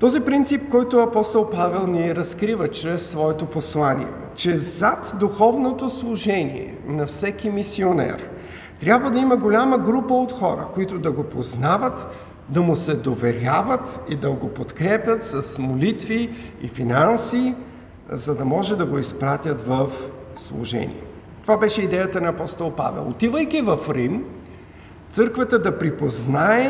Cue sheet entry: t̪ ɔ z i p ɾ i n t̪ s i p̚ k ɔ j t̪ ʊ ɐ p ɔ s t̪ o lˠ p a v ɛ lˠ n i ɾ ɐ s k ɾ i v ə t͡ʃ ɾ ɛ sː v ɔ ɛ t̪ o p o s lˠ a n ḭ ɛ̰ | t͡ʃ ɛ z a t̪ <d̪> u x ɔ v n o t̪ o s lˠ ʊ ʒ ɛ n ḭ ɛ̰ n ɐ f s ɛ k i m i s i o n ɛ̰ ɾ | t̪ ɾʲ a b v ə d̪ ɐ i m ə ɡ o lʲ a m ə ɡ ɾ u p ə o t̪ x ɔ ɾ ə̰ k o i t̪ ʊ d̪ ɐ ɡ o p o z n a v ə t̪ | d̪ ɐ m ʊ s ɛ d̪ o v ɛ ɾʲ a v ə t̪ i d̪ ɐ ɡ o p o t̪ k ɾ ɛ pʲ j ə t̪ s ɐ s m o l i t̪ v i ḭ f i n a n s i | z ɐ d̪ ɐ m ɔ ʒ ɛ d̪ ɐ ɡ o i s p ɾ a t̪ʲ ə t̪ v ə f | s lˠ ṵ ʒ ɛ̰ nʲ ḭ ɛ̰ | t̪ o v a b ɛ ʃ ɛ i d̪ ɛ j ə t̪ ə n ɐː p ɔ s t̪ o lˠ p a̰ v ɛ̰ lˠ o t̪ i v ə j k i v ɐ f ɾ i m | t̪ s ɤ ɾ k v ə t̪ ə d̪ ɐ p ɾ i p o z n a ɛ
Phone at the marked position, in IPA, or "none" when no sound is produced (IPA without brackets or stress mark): d̪